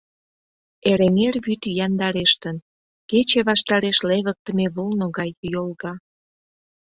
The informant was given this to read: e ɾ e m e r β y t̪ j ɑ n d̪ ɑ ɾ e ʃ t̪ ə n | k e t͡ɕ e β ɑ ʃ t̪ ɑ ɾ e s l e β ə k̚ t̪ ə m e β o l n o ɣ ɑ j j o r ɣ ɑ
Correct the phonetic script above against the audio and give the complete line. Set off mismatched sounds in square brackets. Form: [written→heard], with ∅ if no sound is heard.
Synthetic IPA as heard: e ɾ e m e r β y t̪ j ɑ n d̪ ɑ ɾ e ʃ t̪ ə n | k e t͡ɕ e β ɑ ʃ t̪ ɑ ɾ e [s→ʃ] l e β ə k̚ t̪ ə m e β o l n o ɣ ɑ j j o [r→l] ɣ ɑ

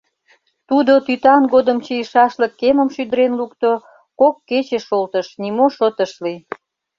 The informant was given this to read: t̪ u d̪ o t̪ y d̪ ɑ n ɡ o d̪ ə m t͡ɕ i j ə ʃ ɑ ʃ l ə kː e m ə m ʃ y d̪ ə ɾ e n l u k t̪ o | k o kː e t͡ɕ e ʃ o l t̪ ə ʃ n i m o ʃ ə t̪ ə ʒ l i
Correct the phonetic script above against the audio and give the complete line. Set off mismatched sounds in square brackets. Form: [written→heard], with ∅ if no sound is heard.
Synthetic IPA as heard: t̪ u d̪ o t̪ y [d̪→t̪] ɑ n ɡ o d̪ ə m t͡ɕ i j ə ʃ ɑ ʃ l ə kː e m ə m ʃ y d̪ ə ɾ e n l u k t̪ o | k o kː e t͡ɕ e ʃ o l t̪ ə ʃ n i m o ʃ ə t̪ ə [ʒ→ʃ] l i

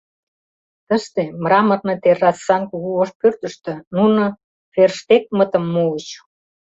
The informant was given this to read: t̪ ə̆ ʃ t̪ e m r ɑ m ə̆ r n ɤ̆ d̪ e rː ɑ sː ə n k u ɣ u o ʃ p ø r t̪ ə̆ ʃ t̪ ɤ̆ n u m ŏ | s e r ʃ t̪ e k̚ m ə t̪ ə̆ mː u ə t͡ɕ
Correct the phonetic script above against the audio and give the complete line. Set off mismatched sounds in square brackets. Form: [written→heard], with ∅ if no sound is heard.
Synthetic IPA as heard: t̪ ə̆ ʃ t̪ e m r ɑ m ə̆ r n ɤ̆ [d̪→t̪] e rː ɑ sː [ə→ɑ] n k u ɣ u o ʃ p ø r t̪ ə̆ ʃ t̪ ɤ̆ n u [m→n] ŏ | [s→f] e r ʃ t̪ e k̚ m ə t̪ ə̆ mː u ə t͡ɕ

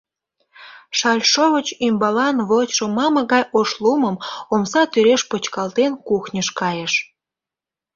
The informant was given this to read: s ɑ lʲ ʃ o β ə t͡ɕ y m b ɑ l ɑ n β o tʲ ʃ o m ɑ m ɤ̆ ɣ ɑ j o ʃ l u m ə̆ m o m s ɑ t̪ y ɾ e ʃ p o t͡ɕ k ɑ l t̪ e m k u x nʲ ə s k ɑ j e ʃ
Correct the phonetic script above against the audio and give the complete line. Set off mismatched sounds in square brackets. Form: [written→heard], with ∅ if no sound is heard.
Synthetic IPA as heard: [s→ʃ] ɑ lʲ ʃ o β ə t͡ɕ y m b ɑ l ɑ n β o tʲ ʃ o m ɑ m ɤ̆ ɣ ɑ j o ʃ l u m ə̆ m o m s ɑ t̪ y ɾ e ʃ p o t͡ɕ k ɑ l t̪ e [m→n] k u x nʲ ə [s→ʃ] k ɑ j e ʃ

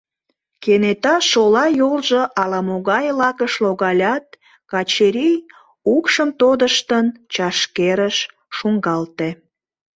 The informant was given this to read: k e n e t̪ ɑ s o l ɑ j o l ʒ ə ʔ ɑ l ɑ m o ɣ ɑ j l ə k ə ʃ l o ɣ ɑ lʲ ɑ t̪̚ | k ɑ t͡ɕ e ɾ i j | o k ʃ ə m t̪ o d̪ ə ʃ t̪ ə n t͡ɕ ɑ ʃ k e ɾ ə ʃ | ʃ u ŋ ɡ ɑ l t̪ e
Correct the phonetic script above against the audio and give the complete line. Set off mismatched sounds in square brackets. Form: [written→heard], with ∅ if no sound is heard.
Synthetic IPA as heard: k e n e t̪ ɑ [s→ʃ] o l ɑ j o l ʒ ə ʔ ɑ l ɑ m o ɣ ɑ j l [ə→ɑ] k ə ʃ l o ɣ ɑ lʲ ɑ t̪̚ | k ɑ t͡ɕ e ɾ i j | [o→u] k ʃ ə m t̪ o d̪ ə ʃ t̪ ə n t͡ɕ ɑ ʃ k e ɾ ə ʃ | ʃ u ŋ ɡ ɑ l t̪ e

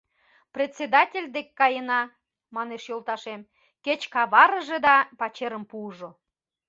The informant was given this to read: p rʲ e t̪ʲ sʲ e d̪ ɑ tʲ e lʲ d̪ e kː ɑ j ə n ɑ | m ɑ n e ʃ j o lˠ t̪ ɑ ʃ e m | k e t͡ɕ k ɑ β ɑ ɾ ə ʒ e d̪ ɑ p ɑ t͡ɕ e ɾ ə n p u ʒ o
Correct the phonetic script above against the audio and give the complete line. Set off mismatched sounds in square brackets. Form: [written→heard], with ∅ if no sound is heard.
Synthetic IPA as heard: p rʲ e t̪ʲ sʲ e d̪ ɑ tʲ e lʲ d̪ e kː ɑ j ə n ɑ | m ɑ n e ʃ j o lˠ t̪ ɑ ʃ e m | k e t͡ɕ k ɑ β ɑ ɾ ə ʒ e d̪ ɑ p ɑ t͡ɕ e ɾ ə [n→m] p u ʒ o

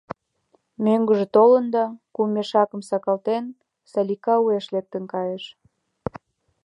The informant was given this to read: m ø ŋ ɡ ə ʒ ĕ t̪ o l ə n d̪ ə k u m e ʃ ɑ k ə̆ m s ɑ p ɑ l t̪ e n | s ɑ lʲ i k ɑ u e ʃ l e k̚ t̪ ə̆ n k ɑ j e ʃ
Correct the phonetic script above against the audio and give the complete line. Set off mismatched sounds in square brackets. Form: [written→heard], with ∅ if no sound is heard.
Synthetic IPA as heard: m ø ŋ ɡ ə ʒ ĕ t̪ o l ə n d̪ [ə→ɑ] k u m e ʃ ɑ k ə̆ m s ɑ [p→k] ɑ l t̪ e n | s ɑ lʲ i k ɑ u e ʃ l e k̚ t̪ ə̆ n k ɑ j e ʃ

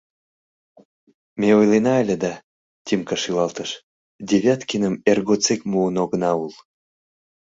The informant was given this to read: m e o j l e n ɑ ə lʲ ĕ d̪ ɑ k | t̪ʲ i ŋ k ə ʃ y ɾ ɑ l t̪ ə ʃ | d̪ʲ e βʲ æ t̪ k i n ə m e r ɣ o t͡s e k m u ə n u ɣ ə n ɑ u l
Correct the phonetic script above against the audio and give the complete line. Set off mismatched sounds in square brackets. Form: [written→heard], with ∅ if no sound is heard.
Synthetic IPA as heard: m e o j l e n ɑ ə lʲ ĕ d̪ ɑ [k→∅] | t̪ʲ i [ŋ→m] k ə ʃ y [ɾ→l] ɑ l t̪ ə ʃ | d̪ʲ e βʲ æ t̪ k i n ə m e r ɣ o t͡s e k m u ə n [u→o] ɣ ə n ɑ u l

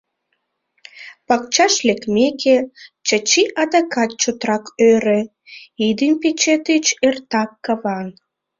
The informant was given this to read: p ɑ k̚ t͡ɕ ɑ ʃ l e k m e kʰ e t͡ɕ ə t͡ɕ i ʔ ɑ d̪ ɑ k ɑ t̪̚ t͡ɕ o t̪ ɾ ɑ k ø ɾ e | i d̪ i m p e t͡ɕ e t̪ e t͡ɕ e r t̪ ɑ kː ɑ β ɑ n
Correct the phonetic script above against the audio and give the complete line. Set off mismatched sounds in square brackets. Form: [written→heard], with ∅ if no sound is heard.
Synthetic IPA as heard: p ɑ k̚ t͡ɕ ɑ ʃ l e k m e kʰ e t͡ɕ ə t͡ɕ i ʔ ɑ d̪ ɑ k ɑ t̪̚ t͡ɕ o t̪ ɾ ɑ k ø ɾ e | i d̪ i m p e t͡ɕ e t̪ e t͡ɕ e r t̪ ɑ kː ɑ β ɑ n

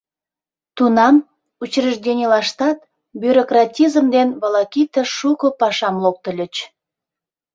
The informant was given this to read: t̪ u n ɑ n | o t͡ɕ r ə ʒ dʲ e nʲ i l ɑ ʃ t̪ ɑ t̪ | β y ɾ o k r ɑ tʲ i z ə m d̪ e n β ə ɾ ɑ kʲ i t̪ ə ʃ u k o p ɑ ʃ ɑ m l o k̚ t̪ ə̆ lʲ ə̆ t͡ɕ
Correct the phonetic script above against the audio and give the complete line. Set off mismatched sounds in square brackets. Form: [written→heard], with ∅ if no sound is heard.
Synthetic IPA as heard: t̪ u n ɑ [n→m] | [o→u] t͡ɕ r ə ʒ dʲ e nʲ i l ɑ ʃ t̪ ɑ t̪ | [β→b] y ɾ o k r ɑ tʲ i z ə m d̪ e n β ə [ɾ→l] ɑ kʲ i t̪ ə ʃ u k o p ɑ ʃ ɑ m l o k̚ t̪ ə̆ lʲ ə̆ t͡ɕ

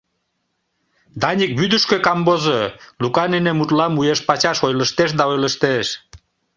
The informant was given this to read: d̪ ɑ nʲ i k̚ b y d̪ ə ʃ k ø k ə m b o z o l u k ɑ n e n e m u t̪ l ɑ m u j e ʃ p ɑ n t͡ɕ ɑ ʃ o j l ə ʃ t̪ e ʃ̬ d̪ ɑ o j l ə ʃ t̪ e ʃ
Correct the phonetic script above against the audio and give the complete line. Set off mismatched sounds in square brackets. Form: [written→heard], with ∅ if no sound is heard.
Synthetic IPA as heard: d̪ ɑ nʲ i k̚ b y d̪ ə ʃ k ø k [ə→ɑ] m b o z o l u k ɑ n e n e m u t̪ l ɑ m u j e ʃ p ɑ [n→∅] t͡ɕ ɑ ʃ o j l ə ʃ t̪ e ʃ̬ d̪ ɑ o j l ə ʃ t̪ e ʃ

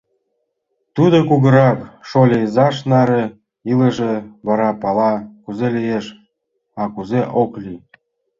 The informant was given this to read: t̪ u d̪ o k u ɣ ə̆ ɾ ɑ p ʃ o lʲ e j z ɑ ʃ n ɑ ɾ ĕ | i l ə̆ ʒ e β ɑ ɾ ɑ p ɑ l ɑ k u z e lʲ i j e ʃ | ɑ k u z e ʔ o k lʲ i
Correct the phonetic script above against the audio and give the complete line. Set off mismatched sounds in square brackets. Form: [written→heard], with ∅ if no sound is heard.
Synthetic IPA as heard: t̪ u d̪ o k u ɣ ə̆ ɾ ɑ p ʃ o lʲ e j z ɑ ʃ n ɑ ɾ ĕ | i l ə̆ ʒ e β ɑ ɾ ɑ p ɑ l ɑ k u z e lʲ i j e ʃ | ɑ k u z e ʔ o k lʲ i

